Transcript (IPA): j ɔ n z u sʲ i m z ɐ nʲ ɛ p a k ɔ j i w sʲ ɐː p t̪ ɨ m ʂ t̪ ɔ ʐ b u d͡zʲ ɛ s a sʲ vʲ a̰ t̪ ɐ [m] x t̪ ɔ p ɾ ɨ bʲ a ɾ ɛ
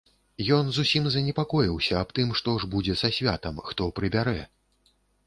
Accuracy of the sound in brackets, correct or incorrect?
correct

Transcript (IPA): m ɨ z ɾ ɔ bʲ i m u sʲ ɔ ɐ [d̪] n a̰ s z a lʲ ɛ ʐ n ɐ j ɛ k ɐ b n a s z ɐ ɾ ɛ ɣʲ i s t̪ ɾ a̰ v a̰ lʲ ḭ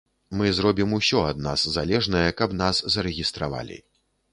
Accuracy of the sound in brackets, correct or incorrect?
correct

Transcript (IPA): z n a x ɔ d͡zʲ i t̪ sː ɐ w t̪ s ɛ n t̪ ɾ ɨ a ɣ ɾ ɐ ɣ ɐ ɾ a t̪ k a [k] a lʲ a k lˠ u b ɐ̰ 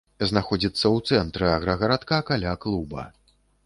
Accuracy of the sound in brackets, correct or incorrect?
correct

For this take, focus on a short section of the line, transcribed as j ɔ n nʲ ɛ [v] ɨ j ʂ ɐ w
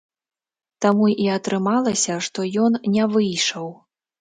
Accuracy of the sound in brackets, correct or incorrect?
correct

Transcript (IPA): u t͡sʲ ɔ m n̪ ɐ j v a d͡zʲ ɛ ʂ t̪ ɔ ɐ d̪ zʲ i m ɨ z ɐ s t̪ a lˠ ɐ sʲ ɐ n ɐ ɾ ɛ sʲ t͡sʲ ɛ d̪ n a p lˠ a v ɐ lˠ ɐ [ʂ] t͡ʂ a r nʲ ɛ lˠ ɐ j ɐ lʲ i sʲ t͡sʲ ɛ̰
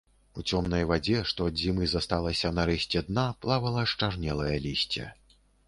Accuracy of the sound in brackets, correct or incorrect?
correct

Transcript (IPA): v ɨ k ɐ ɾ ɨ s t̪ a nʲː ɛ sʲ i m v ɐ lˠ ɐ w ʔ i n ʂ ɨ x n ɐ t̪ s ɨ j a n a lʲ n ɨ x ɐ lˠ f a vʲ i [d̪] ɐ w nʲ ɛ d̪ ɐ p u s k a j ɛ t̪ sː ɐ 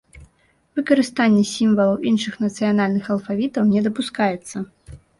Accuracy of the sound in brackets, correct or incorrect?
incorrect: t̪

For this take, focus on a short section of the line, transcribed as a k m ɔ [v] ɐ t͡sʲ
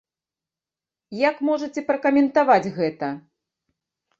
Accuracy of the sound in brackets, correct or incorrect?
incorrect: ʐ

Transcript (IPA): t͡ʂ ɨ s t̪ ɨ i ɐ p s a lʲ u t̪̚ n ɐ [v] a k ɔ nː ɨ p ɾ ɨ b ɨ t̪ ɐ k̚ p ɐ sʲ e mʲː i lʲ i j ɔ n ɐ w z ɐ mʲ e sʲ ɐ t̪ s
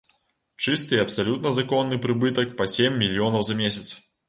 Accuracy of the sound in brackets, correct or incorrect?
incorrect: z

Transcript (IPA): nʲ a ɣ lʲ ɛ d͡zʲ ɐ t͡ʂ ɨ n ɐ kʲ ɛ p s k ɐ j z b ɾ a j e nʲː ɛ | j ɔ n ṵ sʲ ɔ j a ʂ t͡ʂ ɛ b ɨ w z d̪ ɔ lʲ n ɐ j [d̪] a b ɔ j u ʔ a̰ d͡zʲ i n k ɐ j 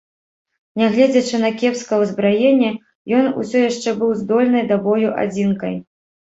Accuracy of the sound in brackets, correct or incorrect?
correct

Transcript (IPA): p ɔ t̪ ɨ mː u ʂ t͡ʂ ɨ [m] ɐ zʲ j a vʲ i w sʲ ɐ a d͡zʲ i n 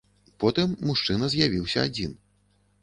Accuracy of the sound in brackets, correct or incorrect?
incorrect: n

